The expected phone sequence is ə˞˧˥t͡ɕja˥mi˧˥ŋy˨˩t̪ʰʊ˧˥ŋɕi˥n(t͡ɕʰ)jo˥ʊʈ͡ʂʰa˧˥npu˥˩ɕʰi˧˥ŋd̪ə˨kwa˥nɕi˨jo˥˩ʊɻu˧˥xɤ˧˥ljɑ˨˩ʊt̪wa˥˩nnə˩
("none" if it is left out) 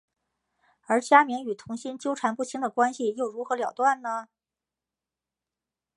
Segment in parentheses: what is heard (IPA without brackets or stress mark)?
t͡ɕ